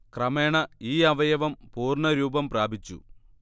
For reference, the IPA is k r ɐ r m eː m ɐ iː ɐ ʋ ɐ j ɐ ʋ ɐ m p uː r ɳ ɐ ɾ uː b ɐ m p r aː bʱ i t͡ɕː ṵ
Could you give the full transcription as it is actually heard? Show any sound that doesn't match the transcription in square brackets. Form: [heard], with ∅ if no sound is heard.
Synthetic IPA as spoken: k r ɐ [∅] m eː [ɳ] ɐ iː ɐ ʋ ɐ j ɐ ʋ ɐ m p uː r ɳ ɐ ɾ uː b ɐ m p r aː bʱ i t͡ɕː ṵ